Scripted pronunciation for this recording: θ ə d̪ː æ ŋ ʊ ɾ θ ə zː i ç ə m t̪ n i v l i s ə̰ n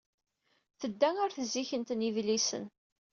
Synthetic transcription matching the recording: θ ə d̪ː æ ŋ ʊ ɾ θ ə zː i ç ə n t̪ n i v l i s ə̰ n